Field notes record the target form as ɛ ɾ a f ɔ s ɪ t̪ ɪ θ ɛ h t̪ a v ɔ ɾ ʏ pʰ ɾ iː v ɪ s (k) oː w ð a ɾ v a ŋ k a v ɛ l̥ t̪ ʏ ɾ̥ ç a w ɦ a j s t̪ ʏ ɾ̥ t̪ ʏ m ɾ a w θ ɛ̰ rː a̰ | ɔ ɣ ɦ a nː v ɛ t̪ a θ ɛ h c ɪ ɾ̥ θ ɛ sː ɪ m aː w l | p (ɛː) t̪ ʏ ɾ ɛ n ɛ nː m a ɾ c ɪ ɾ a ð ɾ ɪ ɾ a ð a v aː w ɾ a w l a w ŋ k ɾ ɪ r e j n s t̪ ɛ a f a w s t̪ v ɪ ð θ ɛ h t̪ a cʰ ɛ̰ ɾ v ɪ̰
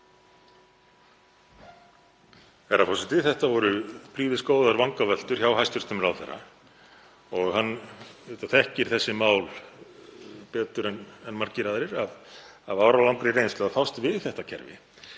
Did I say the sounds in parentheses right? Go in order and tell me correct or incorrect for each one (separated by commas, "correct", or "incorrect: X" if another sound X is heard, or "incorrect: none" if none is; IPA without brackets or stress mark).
correct, correct